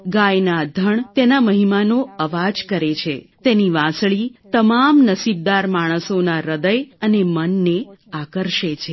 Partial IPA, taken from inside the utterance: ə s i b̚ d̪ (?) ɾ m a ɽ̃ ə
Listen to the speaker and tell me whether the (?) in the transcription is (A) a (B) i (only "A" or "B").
A